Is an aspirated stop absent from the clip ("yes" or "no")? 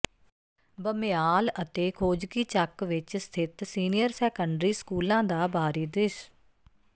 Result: no